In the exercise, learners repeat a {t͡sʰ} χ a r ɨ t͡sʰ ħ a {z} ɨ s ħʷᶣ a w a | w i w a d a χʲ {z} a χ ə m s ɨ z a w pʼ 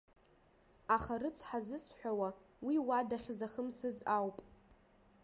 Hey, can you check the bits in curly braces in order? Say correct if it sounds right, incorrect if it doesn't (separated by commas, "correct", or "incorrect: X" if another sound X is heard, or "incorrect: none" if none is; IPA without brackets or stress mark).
incorrect: none, correct, correct